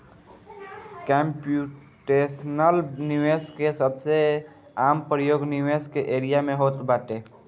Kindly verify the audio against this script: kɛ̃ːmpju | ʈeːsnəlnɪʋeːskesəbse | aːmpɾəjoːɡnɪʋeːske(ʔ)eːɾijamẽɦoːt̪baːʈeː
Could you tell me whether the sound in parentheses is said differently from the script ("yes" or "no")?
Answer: no